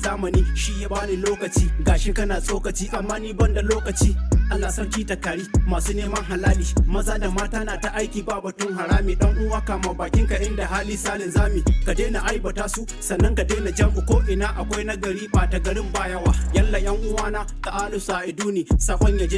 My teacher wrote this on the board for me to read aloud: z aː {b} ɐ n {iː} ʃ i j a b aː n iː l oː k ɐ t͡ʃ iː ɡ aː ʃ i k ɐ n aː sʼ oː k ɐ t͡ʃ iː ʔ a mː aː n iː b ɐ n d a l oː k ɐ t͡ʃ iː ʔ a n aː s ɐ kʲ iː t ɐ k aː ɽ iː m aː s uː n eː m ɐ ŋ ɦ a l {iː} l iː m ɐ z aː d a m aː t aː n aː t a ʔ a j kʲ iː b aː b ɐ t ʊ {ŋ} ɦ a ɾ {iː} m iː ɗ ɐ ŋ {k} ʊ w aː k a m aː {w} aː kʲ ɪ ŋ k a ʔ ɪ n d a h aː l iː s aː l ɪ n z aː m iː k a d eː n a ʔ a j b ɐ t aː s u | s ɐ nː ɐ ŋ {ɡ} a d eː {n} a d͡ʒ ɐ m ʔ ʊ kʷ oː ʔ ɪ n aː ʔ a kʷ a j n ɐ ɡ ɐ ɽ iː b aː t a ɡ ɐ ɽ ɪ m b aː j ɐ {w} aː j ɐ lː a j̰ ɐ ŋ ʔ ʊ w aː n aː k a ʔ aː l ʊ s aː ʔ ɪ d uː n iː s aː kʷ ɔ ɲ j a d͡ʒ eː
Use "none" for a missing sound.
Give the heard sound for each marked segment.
m, iː, aː, ŋ, aː, ʔ, b, k, n, w

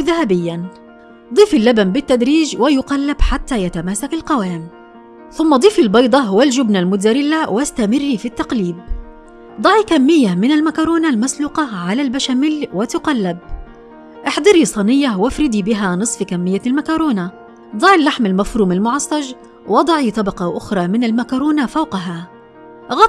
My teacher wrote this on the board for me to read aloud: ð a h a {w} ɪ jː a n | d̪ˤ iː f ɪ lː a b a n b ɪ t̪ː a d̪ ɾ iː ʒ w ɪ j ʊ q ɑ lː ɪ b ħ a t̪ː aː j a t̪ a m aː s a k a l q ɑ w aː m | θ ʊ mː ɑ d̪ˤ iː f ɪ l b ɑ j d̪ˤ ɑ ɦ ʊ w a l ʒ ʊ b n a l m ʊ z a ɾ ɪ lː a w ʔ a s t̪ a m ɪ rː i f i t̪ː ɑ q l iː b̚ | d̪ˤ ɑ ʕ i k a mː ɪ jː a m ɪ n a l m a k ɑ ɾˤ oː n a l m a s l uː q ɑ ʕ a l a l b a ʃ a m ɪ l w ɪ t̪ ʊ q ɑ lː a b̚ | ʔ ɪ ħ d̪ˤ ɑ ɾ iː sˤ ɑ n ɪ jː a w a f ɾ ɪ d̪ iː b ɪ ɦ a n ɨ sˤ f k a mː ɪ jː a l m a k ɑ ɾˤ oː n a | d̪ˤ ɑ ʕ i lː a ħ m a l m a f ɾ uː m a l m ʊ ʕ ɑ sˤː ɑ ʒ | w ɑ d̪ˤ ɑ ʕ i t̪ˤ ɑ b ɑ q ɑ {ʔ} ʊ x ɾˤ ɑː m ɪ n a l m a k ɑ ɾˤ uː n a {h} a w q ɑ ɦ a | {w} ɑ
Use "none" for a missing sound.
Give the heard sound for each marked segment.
b, ʔ, f, ɣ

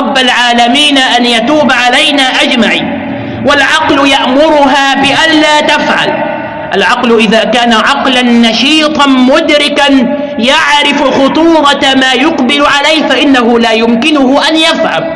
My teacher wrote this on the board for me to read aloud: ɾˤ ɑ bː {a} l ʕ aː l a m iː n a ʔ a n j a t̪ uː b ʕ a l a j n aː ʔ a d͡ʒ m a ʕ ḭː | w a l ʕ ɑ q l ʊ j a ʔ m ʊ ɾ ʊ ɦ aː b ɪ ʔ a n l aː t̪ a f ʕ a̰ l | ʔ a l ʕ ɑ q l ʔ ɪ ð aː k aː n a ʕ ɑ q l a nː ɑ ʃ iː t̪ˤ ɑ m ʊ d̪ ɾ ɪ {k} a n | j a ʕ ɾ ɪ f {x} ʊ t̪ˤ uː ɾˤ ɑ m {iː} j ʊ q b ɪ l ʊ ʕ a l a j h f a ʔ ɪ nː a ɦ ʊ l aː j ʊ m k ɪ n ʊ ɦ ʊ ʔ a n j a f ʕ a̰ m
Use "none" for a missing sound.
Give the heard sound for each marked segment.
a, k, x, aː

